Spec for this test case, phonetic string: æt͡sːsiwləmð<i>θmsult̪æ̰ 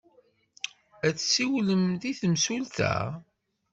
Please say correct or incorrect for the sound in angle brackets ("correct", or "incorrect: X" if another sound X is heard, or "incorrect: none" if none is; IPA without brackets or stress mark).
correct